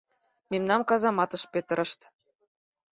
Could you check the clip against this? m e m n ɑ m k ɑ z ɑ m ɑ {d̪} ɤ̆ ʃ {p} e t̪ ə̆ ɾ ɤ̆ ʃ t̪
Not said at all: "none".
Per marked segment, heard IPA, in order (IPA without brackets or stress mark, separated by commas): t̪, p